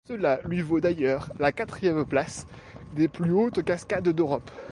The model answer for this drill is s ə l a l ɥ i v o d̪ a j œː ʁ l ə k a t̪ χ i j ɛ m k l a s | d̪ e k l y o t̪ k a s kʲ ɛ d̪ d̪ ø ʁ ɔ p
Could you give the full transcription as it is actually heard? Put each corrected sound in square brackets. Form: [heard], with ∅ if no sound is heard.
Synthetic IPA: s ə l a l ɥ i v o d̪ a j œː ʁ l [a] k a t̪ χ i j ɛ m [p] l a s | d̪ e [p] l y o t̪ k a s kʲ [a] d̪ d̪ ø ʁ ɔ p